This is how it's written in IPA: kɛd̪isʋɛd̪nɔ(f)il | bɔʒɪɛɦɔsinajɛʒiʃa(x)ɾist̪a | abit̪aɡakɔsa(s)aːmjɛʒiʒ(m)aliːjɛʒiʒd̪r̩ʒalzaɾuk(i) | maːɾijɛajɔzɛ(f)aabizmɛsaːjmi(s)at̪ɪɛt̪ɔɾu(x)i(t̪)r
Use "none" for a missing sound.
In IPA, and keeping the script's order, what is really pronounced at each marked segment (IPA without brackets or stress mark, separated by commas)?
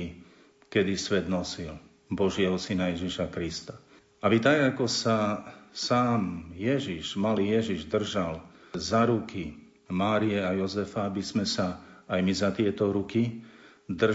s, k, s, m, i, f, z, k, d̪